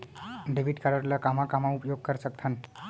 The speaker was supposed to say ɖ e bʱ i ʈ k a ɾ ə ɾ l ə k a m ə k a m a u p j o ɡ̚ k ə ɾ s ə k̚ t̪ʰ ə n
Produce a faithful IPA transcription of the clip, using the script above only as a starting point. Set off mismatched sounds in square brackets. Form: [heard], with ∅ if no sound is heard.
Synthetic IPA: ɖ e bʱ i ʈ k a ɾ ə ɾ l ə k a m [a] k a m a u p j o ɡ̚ k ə ɾ s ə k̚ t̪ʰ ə n